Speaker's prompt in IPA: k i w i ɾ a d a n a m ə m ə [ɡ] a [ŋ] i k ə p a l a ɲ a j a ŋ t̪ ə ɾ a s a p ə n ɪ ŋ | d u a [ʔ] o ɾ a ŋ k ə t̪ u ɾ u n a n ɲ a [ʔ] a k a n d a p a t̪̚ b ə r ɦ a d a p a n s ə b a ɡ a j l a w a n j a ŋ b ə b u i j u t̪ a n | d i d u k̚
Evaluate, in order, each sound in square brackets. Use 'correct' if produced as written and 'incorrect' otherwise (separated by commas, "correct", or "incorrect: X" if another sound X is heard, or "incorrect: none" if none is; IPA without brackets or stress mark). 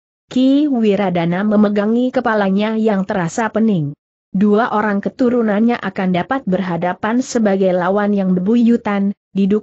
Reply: correct, correct, correct, correct